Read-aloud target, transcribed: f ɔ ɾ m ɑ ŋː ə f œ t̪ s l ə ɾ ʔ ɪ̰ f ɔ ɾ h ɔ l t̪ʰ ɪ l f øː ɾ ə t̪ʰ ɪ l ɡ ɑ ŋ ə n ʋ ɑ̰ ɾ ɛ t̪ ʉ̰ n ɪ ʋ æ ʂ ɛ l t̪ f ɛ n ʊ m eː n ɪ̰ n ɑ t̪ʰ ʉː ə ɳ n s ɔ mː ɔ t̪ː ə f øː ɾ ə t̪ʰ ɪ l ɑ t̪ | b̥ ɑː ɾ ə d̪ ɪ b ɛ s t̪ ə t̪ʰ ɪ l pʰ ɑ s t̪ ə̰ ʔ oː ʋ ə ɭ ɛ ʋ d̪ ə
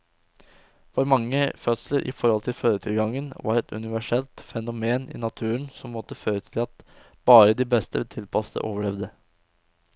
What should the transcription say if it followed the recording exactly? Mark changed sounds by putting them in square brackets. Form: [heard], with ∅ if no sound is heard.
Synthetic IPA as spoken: f ɔ ɾ m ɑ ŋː ə f œ t̪ s l ə ɾ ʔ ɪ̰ f ɔ ɾ h ɔ l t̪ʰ ɪ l f øː ɾ ə t̪ʰ ɪ l ɡ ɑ ŋ ə n ʋ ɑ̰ ɾ ɛ t̪ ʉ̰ n ɪ ʋ æ ʂ ɛ l t̪ f ɛ n ʊ m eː n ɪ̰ n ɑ t̪ʰ ʉː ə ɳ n s ɔ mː ɔ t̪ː ə f øː ɾ ə t̪ʰ ɪ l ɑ t̪ | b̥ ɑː ɾ ə d̪ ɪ b ɛ s t̪ ə t̪ʰ ɪ l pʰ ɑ s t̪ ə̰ ʔ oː ʋ ə ɭ ɛ ʋ d̪ ə